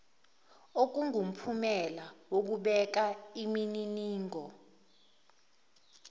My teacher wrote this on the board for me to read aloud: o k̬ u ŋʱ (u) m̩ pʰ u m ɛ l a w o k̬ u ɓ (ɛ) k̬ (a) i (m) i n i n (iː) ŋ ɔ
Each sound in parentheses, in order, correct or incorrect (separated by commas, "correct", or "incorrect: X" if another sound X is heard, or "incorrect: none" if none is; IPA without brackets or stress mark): correct, correct, correct, correct, correct